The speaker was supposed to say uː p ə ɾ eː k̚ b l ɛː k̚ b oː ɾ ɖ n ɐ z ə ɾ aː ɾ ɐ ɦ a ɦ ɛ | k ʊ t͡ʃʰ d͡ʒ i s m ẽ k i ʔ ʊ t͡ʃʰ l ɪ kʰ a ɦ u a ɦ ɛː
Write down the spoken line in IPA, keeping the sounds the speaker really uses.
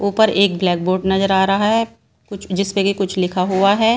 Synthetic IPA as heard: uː p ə ɾ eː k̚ b l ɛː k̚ b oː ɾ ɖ n ɐ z ə ɾ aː ɾ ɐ ɦ a ɦ ɛ | k ʊ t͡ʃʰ d͡ʒ ɪ s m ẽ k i k ʊ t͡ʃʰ l ɪ kʰ a ɦ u a ɦ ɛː